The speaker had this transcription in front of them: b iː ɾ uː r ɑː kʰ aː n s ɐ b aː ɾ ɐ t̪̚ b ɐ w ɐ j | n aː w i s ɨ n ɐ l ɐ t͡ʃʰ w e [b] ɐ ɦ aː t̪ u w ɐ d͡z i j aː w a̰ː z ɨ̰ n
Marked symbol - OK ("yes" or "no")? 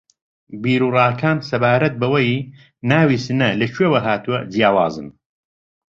no